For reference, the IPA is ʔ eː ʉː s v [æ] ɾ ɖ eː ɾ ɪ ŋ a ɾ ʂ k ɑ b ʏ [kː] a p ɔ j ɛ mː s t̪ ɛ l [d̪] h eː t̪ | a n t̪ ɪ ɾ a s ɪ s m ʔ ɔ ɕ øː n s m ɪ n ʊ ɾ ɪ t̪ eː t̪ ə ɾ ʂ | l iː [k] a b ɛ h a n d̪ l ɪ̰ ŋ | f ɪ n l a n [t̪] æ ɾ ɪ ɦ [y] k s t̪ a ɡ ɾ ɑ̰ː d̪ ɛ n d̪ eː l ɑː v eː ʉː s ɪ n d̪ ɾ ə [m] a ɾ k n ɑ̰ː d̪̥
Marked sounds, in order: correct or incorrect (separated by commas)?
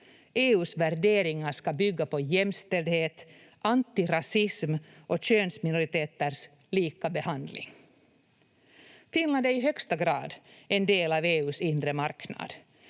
correct, incorrect, correct, correct, incorrect, incorrect, correct